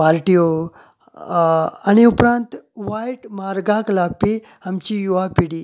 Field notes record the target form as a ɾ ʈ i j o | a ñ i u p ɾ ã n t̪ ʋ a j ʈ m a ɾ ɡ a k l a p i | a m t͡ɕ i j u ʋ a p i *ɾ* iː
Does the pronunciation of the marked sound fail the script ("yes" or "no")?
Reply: yes